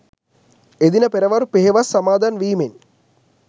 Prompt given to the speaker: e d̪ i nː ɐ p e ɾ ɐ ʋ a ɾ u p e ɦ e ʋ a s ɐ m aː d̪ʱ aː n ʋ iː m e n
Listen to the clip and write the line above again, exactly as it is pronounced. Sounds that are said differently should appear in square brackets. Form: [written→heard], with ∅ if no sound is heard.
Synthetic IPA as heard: e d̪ i [nː→n] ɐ p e ɾ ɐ ʋ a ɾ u p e ɦ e ʋ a s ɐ m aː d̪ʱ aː n ʋ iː m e n